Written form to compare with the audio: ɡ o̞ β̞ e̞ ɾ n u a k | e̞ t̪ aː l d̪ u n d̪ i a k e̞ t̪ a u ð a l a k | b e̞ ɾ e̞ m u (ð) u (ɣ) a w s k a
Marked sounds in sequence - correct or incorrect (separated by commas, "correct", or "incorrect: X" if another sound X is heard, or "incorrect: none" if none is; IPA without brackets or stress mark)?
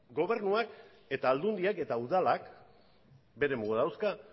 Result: incorrect: ɣ, incorrect: ð